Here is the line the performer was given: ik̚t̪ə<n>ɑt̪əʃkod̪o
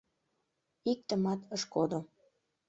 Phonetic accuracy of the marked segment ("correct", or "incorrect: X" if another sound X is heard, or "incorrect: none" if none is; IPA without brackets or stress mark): incorrect: m